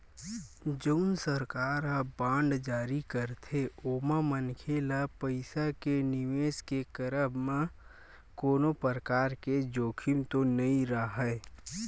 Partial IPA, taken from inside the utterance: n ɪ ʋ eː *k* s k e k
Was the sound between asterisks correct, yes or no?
no